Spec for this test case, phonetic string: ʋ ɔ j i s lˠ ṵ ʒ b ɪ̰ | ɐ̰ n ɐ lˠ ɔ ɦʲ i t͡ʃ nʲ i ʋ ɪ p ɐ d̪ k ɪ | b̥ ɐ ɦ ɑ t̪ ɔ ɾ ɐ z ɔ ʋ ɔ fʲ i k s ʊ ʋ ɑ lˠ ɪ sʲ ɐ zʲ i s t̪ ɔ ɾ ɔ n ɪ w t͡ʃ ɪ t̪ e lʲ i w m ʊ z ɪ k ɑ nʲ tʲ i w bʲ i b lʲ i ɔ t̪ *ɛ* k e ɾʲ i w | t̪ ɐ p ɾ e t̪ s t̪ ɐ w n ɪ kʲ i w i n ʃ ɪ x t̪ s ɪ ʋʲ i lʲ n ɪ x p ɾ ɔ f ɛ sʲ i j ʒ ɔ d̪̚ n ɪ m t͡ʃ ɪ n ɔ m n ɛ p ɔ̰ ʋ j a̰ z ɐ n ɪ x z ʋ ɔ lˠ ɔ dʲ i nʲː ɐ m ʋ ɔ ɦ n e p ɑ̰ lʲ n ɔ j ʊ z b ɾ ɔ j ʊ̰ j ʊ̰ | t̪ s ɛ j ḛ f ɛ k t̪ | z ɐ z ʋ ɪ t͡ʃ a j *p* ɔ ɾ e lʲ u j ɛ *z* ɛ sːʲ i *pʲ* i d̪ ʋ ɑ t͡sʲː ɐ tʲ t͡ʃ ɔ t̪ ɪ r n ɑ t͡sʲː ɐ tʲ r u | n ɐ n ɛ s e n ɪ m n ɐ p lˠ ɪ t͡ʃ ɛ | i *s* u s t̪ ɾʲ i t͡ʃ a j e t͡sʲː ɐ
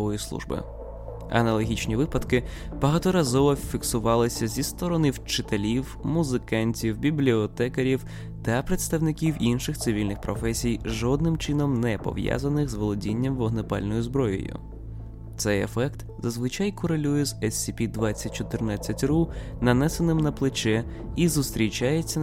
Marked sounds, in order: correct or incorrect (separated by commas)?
correct, incorrect, correct, correct, incorrect